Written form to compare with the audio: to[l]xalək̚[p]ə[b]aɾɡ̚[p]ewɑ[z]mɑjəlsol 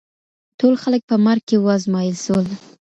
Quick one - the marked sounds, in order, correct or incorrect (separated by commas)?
correct, correct, incorrect, incorrect, correct